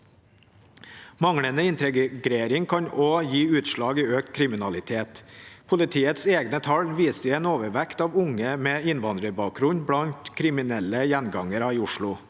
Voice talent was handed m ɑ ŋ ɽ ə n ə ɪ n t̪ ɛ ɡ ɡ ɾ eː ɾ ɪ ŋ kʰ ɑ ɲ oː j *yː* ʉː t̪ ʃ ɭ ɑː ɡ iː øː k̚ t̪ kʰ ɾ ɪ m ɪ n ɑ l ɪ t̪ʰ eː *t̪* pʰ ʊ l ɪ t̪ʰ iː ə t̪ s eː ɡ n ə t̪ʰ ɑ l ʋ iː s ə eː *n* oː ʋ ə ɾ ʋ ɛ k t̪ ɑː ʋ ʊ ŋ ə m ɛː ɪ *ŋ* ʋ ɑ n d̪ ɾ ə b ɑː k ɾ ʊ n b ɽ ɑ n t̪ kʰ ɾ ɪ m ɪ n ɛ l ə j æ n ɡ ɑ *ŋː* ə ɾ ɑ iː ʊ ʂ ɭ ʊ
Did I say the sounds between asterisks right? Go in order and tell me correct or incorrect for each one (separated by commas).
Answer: incorrect, correct, correct, incorrect, incorrect